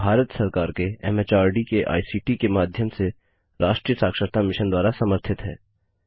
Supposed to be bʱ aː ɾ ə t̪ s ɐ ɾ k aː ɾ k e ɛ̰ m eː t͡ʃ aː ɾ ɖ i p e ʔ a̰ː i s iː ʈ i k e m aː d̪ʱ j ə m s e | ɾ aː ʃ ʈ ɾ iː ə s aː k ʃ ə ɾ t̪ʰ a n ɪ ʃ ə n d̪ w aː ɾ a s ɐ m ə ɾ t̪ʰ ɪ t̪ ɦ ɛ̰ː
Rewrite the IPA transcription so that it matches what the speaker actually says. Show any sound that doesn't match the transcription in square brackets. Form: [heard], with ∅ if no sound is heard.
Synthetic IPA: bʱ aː ɾ ə t̪ s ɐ ɾ k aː ɾ k e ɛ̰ m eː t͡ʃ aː ɾ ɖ i [k] e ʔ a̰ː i s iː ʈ i k e m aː d̪ʱ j ə m s e | ɾ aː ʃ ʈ ɾ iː ə s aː k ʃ ə ɾ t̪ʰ a [m] ɪ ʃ ə n d̪ w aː ɾ a s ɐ m ə ɾ t̪ʰ ɪ t̪ ɦ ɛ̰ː